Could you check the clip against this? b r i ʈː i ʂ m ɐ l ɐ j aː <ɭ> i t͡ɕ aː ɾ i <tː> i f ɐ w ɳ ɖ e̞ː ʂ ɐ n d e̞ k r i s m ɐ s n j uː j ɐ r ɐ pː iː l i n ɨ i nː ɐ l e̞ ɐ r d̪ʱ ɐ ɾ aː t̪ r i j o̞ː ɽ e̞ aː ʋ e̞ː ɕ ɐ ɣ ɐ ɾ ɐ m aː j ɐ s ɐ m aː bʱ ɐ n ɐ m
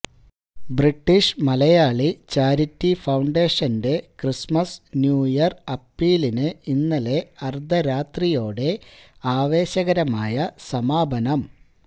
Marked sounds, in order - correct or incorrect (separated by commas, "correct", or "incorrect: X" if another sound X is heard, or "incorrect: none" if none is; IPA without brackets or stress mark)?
correct, correct